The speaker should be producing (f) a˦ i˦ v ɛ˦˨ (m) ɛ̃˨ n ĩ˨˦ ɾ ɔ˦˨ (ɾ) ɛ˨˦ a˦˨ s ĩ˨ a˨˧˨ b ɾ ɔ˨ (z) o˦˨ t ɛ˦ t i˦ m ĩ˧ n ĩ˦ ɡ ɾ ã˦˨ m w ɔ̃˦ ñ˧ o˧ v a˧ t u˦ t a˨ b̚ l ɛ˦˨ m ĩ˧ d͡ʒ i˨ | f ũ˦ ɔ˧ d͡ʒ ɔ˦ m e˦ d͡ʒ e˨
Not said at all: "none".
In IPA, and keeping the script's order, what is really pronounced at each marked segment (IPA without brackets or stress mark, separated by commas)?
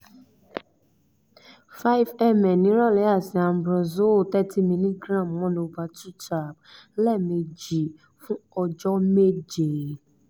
f, m, l, z